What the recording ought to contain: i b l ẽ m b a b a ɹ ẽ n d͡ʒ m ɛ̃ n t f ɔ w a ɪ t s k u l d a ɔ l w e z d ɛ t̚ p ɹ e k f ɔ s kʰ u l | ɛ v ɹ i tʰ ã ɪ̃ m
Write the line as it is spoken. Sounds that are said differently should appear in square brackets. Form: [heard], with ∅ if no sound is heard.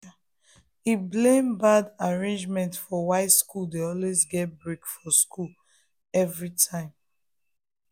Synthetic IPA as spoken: i b l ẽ m b a [d] a ɹ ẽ n d͡ʒ m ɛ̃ n t f ɔ w a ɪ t s k u l d [e] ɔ l w e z [ɡ] ɛ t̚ [b] ɹ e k f ɔ s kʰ u l | ɛ v ɹ i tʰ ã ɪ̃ m

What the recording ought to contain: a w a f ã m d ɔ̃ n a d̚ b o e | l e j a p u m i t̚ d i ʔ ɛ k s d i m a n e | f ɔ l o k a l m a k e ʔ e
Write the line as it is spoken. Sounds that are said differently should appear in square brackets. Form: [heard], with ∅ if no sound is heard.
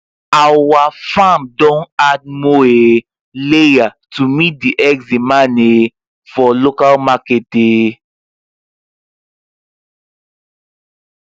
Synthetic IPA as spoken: a w a f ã m d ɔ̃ n a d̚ [m] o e | l e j a [t] u m i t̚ d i ʔ ɛ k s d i m a n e | f ɔ l o k a l m a k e [t] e

